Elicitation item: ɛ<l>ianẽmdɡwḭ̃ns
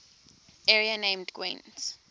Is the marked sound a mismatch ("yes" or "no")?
yes